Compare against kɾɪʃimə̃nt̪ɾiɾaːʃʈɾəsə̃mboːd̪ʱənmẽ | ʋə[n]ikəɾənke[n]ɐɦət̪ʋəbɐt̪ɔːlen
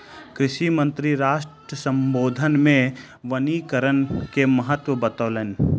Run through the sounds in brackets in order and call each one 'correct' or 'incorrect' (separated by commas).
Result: correct, incorrect